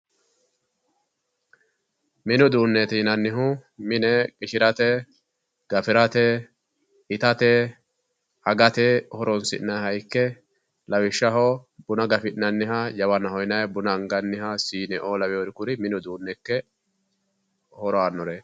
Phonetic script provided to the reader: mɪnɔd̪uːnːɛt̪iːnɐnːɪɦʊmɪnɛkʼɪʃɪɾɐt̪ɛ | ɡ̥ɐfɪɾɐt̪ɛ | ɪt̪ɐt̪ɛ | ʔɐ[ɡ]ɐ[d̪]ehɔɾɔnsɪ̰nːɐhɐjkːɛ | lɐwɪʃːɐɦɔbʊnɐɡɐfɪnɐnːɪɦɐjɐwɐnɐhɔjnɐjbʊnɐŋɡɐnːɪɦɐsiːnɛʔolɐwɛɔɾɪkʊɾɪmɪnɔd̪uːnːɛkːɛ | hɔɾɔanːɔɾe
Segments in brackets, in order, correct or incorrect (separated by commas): correct, incorrect